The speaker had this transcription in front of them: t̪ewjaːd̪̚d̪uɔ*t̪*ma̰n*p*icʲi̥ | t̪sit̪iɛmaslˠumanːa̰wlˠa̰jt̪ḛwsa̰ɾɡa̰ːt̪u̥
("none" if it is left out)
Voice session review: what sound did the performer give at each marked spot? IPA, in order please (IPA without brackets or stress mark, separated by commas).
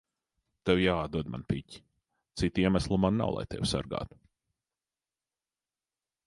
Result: d̪, p